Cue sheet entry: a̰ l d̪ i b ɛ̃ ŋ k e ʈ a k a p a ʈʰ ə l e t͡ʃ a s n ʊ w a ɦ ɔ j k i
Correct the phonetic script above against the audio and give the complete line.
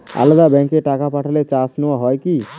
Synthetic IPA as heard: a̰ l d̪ a b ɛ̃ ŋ k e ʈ a k a p a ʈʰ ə l e t͡ʃ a s n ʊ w a ɦ ɔ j k i